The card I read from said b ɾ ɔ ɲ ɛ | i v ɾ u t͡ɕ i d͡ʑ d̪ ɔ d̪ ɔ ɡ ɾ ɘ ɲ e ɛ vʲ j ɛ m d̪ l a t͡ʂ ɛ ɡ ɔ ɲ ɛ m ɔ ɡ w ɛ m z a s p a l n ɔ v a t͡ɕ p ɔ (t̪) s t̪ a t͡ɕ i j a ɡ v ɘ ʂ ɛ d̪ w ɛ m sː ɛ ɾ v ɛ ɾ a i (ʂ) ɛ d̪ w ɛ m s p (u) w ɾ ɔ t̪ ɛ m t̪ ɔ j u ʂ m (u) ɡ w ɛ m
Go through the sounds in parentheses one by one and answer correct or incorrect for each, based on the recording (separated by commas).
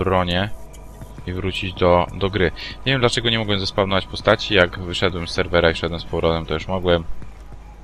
incorrect, correct, incorrect, incorrect